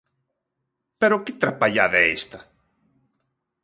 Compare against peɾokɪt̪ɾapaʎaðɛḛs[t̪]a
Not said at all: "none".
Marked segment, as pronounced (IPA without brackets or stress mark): t̪